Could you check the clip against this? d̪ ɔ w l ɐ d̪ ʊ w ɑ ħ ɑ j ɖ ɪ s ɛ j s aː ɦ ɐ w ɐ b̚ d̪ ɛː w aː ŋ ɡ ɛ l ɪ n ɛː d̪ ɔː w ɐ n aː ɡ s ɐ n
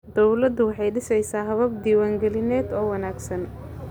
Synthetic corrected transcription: d̪ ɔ w l ɐ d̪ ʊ w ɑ ħ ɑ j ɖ ɪ s ɛ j s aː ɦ ɐ β ɐ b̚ d̪ iː w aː ŋ ɡ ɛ l ɪ n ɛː d̪ ɔː w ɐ n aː ɡ s ɐ n